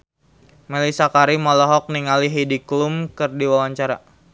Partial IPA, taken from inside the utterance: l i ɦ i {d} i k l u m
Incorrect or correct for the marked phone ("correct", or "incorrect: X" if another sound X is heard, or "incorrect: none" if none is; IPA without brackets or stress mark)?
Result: correct